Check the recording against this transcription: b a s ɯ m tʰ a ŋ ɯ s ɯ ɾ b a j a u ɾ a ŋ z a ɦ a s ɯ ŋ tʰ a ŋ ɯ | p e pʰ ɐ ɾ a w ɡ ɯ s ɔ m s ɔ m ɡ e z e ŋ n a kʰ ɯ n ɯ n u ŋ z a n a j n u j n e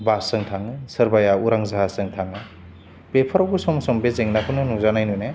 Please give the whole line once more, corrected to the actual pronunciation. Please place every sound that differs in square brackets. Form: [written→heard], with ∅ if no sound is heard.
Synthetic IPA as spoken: b a s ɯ [m→ŋ] tʰ a ŋ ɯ s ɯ ɾ b a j a u ɾ a ŋ z a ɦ a s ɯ ŋ tʰ a ŋ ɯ | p e pʰ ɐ ɾ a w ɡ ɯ s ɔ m s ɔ m [ɡ→b] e z e ŋ n a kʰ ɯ n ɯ n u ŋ z a n a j n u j n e